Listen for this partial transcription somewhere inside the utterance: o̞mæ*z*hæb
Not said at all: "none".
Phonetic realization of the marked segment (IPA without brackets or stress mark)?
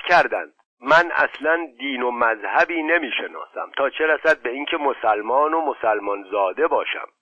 z